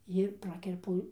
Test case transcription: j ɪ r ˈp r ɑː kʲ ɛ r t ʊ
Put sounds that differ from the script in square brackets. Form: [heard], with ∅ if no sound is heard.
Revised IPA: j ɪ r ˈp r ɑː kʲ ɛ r [p] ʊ

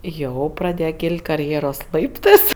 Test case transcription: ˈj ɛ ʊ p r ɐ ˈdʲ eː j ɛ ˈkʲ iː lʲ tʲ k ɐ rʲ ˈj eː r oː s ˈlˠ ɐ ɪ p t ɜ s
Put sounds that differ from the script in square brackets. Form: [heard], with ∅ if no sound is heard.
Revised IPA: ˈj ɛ ʊ p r ɐ ˈdʲ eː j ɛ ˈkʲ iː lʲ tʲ k ɐ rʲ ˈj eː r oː s ˈlˠ ɐ ɪ p t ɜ s

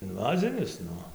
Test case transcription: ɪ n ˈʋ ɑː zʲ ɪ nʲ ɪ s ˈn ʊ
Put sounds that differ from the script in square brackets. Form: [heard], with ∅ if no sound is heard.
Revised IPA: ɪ n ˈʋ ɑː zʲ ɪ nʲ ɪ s ˈn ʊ

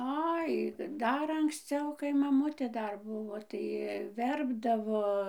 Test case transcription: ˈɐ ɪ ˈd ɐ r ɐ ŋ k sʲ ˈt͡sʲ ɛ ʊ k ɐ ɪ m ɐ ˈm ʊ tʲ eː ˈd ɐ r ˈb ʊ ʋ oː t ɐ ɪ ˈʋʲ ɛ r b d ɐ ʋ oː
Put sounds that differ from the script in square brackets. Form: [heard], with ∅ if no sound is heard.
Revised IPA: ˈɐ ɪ ˈd ɐ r ɐ ŋ k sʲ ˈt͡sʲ ɛ ʊ k ɐ ɪ m ɐ ˈm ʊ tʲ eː ˈd ɐ r ˈb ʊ ʋ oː t ɐ ɪ ˈʋʲ ɛ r b d ɐ ʋ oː

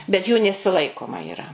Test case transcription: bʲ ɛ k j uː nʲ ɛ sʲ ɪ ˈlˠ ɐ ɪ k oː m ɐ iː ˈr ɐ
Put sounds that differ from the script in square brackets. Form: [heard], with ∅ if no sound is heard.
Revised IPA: bʲ ɛ [t] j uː nʲ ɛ sʲ ɪ ˈlˠ ɐ ɪ k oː m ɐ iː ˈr ɐ

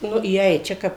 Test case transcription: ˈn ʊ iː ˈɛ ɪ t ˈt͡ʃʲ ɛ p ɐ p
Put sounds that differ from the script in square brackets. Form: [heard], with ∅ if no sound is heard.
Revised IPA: ˈn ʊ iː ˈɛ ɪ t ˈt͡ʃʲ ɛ [k] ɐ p

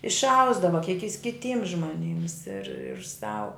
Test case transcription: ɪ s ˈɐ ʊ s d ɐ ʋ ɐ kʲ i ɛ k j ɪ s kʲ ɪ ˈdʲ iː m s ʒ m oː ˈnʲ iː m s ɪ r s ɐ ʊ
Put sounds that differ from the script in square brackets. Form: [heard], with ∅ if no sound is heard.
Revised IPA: ɪ [ʃ] ˈɐ ʊ [z] d ɐ ʋ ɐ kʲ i ɛ k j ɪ s kʲ ɪ [ˈtʲ] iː m s ʒ m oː ˈnʲ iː m s ɪ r s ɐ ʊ

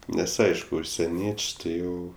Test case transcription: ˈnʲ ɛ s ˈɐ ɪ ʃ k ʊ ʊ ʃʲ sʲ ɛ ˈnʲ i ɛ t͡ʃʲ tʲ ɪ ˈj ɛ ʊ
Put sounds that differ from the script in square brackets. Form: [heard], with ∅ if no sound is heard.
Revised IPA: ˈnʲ ɛ s ˈɐ ɪ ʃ k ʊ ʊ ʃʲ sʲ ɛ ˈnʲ i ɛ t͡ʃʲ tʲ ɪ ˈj ɛ ʊ

